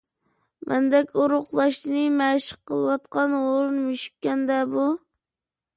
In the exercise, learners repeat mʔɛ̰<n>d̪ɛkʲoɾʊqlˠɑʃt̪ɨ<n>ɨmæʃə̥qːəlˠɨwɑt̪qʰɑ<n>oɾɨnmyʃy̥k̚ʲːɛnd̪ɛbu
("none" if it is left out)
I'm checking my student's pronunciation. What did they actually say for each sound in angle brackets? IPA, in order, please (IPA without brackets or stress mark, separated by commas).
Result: n, n, n